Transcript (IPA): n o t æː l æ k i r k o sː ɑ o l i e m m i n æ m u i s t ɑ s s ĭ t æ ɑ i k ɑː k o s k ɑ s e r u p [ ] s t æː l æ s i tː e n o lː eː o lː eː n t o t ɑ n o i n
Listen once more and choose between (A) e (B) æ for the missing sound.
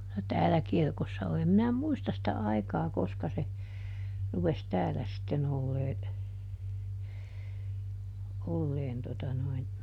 A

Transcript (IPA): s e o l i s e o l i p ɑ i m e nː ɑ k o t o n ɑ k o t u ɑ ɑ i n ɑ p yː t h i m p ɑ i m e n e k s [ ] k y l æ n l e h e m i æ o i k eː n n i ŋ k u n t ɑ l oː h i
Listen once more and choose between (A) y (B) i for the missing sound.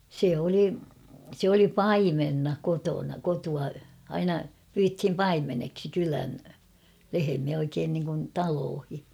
B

